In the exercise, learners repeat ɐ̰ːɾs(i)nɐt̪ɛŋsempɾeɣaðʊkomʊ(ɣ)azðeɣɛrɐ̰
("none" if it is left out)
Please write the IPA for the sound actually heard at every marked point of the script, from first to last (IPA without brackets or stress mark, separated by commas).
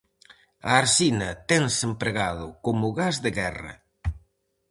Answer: i, ɣ